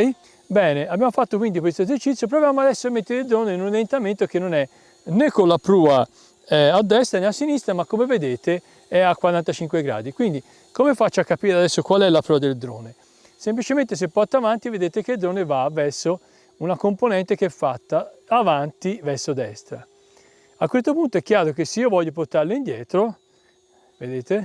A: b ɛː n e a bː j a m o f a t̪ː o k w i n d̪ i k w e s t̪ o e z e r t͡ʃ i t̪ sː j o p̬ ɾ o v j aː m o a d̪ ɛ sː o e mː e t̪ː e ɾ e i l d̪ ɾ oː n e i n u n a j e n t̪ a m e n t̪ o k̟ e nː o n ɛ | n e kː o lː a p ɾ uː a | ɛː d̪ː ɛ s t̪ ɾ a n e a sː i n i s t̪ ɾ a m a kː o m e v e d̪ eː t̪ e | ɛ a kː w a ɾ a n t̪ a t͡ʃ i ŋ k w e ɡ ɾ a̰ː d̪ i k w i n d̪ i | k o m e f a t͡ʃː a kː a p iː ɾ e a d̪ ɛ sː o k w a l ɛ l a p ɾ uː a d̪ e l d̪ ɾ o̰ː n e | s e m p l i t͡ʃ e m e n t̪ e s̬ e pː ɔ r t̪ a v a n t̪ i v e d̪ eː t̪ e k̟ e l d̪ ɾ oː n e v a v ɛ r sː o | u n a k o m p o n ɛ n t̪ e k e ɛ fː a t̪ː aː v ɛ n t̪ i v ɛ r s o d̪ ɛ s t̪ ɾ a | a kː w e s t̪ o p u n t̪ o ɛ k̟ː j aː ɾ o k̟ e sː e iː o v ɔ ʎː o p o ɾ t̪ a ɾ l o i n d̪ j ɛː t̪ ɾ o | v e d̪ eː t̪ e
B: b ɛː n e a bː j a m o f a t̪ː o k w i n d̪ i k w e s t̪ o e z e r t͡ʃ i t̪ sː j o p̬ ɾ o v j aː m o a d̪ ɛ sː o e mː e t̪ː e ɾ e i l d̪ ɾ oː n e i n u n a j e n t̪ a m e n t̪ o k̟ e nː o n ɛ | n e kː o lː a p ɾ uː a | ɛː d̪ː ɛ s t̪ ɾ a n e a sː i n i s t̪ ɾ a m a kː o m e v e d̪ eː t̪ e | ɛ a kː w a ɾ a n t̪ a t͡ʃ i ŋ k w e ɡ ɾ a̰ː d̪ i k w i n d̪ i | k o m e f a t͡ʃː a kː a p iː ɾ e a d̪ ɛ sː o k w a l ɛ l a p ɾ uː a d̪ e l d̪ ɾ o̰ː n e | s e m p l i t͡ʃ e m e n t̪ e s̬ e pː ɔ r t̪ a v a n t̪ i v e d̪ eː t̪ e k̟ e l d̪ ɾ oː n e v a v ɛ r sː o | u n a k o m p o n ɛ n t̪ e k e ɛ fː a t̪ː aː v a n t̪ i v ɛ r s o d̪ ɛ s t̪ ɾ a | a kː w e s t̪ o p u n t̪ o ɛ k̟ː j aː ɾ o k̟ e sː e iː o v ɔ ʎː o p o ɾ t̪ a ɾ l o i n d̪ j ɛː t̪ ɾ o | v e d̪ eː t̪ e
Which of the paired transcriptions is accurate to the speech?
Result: B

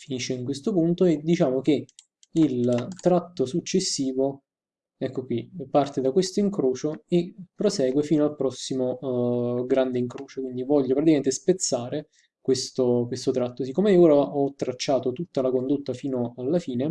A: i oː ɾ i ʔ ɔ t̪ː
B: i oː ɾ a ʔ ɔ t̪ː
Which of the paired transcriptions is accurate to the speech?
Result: B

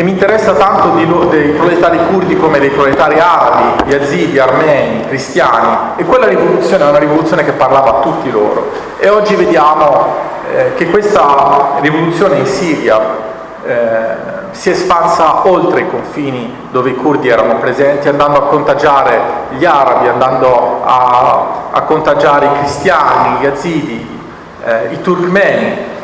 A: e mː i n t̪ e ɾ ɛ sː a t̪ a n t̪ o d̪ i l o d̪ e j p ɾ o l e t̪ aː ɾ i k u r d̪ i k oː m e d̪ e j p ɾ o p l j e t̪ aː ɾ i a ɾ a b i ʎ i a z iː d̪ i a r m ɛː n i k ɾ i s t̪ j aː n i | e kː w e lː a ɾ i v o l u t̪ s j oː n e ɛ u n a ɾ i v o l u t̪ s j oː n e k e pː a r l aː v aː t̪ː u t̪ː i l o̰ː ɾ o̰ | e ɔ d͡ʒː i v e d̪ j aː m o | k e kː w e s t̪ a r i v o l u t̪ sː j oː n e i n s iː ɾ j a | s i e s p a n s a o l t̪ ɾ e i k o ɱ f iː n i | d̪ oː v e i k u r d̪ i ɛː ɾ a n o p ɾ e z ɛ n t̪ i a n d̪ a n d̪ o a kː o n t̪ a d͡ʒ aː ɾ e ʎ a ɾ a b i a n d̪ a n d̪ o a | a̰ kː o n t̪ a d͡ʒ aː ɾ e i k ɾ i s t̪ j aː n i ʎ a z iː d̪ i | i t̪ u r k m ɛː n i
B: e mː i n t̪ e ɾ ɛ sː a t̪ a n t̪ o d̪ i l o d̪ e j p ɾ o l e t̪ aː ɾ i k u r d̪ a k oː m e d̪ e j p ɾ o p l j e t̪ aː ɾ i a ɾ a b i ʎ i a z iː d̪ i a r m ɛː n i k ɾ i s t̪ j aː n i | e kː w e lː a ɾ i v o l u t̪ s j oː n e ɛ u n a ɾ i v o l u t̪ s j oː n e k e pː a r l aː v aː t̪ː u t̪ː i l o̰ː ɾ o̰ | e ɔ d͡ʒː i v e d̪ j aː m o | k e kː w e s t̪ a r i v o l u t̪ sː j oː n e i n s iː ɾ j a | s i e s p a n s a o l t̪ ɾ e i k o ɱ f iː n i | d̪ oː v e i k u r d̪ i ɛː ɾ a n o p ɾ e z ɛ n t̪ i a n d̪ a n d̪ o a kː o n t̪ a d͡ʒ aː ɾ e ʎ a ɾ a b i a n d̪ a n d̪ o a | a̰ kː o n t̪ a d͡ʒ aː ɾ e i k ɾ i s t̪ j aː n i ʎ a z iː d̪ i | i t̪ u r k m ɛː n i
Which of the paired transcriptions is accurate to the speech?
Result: A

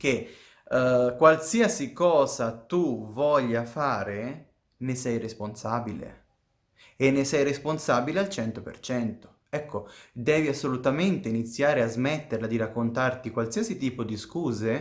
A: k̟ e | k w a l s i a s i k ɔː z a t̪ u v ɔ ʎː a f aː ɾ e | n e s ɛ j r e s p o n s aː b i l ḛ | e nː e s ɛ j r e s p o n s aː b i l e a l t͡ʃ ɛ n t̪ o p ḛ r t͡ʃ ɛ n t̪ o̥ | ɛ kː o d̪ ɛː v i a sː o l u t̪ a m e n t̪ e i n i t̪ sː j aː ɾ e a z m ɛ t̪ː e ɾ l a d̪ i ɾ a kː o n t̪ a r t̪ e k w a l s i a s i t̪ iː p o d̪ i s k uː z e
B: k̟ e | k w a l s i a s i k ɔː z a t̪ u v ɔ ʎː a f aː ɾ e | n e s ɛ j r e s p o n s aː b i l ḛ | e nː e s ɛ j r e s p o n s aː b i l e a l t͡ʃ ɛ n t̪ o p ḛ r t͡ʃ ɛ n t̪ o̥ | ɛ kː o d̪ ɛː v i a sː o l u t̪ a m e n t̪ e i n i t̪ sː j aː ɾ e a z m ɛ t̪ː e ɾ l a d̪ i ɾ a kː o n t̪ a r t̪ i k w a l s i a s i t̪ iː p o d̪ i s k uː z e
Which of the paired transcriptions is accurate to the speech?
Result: B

